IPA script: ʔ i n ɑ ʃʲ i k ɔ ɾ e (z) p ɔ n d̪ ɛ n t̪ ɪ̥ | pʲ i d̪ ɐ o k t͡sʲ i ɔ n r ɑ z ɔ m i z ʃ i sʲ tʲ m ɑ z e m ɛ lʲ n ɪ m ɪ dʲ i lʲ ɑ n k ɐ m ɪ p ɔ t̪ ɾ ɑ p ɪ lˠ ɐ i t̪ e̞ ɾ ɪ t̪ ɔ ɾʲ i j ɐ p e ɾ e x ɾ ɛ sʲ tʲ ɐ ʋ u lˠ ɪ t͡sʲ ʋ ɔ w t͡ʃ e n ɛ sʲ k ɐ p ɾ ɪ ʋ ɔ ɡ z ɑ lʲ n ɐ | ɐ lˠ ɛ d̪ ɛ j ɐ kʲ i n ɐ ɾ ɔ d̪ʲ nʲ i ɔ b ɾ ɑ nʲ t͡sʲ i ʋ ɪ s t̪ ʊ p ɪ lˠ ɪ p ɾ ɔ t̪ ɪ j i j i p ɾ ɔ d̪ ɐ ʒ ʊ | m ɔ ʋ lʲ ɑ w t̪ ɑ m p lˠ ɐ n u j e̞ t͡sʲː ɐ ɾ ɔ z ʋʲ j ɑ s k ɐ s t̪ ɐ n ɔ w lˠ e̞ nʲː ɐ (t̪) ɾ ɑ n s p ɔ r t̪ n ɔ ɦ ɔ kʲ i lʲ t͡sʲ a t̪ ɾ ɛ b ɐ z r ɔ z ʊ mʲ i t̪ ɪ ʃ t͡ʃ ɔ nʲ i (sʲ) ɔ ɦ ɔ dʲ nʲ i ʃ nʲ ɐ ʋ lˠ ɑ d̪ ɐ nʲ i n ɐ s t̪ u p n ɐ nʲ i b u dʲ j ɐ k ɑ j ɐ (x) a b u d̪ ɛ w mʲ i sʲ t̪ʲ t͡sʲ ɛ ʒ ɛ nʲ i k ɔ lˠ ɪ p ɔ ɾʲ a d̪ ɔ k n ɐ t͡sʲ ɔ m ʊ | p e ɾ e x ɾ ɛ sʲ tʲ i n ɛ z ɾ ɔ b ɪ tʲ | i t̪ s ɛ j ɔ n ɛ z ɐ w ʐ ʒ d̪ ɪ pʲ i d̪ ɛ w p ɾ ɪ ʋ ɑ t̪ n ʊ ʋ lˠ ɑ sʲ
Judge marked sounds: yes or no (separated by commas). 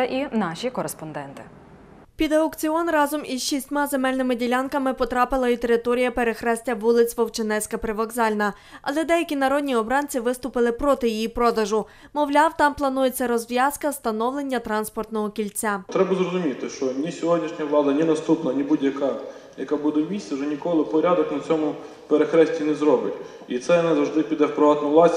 no, yes, yes, no